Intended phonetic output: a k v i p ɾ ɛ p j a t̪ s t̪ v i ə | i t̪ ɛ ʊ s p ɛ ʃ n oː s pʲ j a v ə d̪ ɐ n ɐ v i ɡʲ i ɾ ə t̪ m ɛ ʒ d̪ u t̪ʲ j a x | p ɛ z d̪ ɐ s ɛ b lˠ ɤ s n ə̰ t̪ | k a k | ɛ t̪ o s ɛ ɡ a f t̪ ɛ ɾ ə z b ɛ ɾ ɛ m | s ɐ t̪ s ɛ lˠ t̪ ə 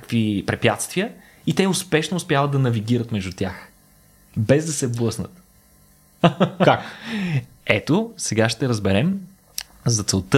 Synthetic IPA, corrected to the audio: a k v i p ɾ ɛ p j a t̪ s t̪ v i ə | i t̪ ɛ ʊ s p ɛ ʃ n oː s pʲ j a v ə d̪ ɐ n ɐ v i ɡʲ i ɾ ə t̪ m ɛ ʒ d̪ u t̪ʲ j a x | b ɛ z d̪ ɐ s ɛ b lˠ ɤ s n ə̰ t̪ | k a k | ɛ t̪ o s ɛ ɡ a ʃ t̪ ɛ ɾ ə z b ɛ ɾ ɛ m | z ɐ t̪ s ɛ lˠ t̪ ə